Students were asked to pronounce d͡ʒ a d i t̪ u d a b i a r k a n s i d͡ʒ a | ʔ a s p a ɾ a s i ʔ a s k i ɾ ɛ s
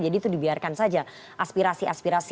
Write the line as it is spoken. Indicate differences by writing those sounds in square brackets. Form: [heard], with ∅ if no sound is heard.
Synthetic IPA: d͡ʒ a d i t̪ u d [i] b i a r k a n s [a] d͡ʒ a | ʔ a s p [i] ɾ a s i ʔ a s [p] i ɾ [a] s